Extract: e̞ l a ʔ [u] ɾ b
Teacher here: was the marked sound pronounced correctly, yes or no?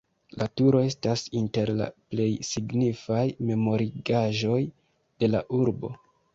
yes